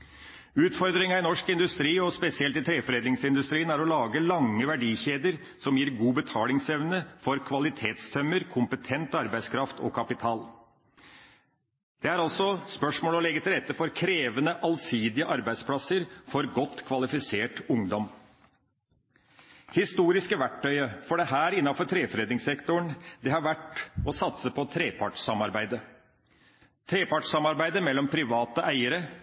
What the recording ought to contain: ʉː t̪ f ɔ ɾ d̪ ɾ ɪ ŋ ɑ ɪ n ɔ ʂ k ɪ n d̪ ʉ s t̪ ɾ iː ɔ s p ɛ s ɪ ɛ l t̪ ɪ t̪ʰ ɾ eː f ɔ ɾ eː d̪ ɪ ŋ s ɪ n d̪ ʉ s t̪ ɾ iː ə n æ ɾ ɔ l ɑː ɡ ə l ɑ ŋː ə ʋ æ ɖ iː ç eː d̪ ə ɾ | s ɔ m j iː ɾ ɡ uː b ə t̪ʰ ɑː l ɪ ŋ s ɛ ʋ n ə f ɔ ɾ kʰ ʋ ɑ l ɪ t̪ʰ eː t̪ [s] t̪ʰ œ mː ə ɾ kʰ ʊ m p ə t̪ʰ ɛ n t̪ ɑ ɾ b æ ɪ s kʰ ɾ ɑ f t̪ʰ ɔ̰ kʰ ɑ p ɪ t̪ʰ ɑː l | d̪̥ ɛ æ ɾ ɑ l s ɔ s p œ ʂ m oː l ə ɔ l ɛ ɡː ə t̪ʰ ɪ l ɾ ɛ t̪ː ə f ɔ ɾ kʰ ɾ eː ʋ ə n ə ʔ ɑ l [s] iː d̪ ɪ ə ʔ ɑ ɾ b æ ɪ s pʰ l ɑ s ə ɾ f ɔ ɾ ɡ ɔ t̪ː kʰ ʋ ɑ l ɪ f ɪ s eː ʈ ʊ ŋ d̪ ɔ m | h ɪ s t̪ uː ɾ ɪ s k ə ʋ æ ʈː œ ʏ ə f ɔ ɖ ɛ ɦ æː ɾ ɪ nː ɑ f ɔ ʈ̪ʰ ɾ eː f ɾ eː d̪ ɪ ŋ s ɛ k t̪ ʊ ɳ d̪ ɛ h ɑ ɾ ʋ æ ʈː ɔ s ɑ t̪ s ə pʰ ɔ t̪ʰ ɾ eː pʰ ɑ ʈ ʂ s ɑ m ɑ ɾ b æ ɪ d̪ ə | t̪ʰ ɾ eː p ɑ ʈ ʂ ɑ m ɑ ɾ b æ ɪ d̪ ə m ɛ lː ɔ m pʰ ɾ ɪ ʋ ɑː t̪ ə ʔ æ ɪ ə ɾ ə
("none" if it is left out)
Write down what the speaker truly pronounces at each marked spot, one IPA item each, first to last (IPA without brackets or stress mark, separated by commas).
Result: s, s